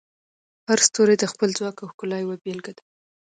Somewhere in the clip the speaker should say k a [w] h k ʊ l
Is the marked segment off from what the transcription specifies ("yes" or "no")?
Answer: no